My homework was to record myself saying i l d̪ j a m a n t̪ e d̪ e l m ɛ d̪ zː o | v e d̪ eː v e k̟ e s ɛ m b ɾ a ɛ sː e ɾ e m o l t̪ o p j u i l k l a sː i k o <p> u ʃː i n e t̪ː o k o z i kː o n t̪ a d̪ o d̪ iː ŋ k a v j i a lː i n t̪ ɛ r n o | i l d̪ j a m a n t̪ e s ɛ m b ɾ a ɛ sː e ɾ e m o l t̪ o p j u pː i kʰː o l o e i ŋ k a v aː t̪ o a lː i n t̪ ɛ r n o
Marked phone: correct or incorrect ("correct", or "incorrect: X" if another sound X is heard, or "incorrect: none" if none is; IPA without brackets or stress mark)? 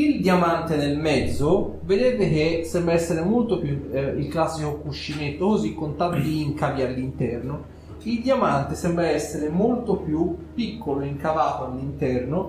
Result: incorrect: k